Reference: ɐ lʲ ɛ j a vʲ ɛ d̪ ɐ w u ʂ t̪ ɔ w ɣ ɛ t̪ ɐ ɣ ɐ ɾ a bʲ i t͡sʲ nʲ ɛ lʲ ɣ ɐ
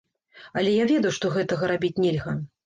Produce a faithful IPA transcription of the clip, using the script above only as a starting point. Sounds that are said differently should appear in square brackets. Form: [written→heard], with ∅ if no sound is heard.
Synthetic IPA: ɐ lʲ ɛ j a vʲ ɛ d̪ ɐ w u ʂ t̪ ɔ [w→∅] ɣ ɛ t̪ ɐ ɣ ɐ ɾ a bʲ i t͡sʲ nʲ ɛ lʲ ɣ ɐ

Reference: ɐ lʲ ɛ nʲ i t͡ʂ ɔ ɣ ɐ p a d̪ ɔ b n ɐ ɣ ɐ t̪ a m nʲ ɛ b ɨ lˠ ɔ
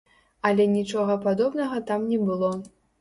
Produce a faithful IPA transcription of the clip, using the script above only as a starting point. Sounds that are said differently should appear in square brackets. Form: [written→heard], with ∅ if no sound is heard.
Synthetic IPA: ɐ lʲ ɛ nʲ i t͡ʂ ɔ ɣ ɐ p a d̪ ɔ b n ɐ ɣ ɐ t̪ a m nʲ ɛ b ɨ lˠ ɔ

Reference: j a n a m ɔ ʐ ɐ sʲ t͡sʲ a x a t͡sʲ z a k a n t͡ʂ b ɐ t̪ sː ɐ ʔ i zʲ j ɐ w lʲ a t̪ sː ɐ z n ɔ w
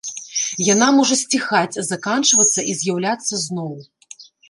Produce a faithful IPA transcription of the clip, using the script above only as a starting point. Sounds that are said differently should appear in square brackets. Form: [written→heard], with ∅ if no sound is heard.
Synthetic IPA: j a n a m ɔ ʐ ɐ sʲ t͡sʲ [a→i] x a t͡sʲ z a k a n t͡ʂ [b→v] ɐ t̪ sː ɐ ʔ i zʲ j [ɐ→a] w lʲ a t̪ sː ɐ z n ɔ w

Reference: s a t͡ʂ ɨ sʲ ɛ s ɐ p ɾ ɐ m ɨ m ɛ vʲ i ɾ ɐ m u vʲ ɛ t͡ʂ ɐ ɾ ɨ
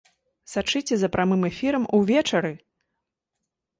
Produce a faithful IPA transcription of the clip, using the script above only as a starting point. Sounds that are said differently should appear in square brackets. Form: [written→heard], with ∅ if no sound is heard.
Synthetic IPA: s a t͡ʂ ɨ [sʲ→t͡sʲ] ɛ [s→z] ɐ p ɾ [ɐ→a] m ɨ m ɛ [vʲ→fʲ] i ɾ ɐ m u vʲ ɛ t͡ʂ ɐ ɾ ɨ

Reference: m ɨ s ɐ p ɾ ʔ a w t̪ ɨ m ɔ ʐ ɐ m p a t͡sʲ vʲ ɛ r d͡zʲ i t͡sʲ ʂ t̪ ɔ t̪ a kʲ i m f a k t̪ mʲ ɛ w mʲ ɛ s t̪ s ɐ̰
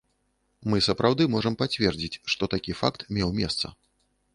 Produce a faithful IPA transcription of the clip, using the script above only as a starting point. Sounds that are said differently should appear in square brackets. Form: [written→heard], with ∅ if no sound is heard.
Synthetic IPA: m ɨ s ɐ p ɾ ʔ a w [t̪→d̪] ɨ m ɔ ʐ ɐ m p a t͡sʲ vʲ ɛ r d͡zʲ i t͡sʲ ʂ t̪ ɔ t̪ a kʲ i [m→∅] f a k t̪ mʲ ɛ w mʲ ɛ s t̪ s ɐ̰

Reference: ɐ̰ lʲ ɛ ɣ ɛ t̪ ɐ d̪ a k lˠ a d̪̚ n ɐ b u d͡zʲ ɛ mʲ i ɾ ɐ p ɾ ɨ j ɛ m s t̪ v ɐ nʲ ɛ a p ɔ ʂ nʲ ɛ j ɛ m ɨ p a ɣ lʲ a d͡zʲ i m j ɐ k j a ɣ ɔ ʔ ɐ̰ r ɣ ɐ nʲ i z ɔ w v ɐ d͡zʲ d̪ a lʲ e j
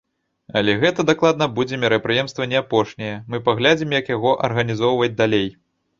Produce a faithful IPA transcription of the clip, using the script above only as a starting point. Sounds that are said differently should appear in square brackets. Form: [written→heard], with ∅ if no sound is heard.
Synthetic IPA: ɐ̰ lʲ ɛ ɣ ɛ t̪ ɐ d̪ a k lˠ a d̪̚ n ɐ b u d͡zʲ ɛ mʲ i ɾ ɐ p ɾ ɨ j ɛ m s t̪ v ɐ nʲ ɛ a p ɔ ʂ nʲ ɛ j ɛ m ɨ p a ɣ lʲ a d͡zʲ i m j ɐ k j a ɣ ɔ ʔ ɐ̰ r ɣ ɐ nʲ i z ɔ w v ɐ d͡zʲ d̪ a lʲ e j

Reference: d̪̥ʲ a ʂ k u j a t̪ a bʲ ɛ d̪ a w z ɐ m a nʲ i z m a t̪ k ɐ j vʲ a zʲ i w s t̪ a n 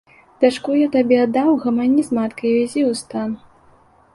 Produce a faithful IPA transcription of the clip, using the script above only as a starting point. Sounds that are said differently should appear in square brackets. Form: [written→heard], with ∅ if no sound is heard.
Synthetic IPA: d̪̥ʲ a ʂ k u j a t̪ a bʲ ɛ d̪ a w [z→ɣ] ɐ m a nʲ i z m a t̪ k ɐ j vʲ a zʲ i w s t̪ a n

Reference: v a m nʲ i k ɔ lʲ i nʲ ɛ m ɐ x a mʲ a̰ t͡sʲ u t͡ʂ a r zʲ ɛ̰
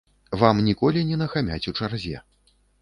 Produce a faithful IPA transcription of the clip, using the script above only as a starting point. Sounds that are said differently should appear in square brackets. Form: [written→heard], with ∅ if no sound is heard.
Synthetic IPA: v a m nʲ i k ɔ lʲ i nʲ ɛ [m→n] ɐ x a mʲ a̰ t͡sʲ u t͡ʂ a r zʲ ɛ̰

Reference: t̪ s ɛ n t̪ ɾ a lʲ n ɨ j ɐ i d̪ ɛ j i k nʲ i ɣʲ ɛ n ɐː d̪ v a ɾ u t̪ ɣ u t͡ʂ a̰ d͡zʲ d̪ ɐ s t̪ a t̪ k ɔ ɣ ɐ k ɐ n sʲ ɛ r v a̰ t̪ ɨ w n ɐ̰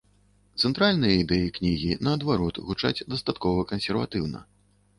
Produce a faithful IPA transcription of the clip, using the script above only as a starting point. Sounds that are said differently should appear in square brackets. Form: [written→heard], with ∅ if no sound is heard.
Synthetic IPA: t̪ s ɛ n t̪ ɾ a lʲ n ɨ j ɐ i d̪ ɛ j i k nʲ i ɣʲ [ɛ→i] n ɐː d̪ v a ɾ [u→ɔ] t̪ ɣ u t͡ʂ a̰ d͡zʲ d̪ ɐ s t̪ a t̪ k ɔ [ɣ→v] ɐ k ɐ n sʲ ɛ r v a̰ t̪ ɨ w n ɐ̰

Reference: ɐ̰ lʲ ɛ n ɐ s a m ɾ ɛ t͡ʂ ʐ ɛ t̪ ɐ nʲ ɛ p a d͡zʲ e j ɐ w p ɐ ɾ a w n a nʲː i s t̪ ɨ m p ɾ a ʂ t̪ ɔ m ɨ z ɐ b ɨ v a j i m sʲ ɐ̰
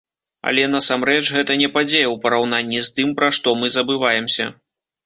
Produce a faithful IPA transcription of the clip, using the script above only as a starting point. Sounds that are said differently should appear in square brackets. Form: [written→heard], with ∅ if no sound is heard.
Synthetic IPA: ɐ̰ lʲ ɛ n ɐ s a m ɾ ɛ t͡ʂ [ʐ→ɣ] ɛ t̪ ɐ nʲ ɛ p a d͡zʲ e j ɐ w p ɐ ɾ a w n a nʲː i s t̪ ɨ m p ɾ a ʂ t̪ ɔ m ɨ z ɐ b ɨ v a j [i→ɛ] m sʲ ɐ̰

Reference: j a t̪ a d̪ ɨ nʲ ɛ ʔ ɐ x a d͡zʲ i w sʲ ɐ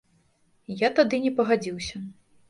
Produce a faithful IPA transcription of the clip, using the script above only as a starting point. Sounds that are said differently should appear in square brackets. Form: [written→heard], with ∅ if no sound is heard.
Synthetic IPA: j a t̪ a d̪ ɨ nʲ ɛ [ʔ→p] ɐ [x→ɣ] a d͡zʲ i w sʲ ɐ

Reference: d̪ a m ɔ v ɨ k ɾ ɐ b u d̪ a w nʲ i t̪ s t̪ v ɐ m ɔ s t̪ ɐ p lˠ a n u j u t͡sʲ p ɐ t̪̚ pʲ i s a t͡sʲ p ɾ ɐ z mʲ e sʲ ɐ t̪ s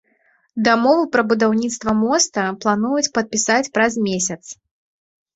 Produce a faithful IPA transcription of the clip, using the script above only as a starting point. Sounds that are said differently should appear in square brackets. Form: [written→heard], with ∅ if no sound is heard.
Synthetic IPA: d̪ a m ɔ v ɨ [k→p] ɾ ɐ b u d̪ a w nʲ i t̪ s t̪ v ɐ m ɔ s t̪ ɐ p lˠ a n u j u t͡sʲ p ɐ t̪̚ pʲ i s a t͡sʲ p ɾ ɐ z mʲ e sʲ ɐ t̪ s

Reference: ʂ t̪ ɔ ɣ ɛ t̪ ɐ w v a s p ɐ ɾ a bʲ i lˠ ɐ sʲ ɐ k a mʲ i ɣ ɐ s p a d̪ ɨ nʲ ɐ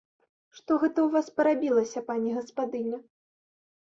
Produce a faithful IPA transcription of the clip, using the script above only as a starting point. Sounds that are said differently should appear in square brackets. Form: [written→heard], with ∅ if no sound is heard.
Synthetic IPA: ʂ t̪ ɔ ɣ ɛ t̪ ɐ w v a s p ɐ ɾ a bʲ i lˠ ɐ sʲ ɐ [k→p] a [mʲ→nʲ] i ɣ ɐ s p a d̪ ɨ nʲ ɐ

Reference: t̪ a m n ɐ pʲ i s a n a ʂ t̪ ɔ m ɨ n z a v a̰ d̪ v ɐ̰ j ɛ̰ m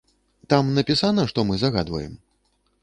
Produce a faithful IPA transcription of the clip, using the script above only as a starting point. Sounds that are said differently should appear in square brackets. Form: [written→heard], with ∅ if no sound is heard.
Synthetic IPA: t̪ a m n ɐ pʲ i s a n [a→ɐ] ʂ t̪ ɔ m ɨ [n→∅] z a [v→ɣ] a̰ d̪ v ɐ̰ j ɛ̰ m

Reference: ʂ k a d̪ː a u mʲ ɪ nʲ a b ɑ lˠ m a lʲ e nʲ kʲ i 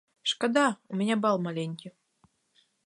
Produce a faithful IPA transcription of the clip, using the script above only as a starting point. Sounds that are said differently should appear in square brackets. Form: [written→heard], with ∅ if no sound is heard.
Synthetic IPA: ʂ k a [d̪ː→d̪] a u mʲ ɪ nʲ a b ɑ lˠ m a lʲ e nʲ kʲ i

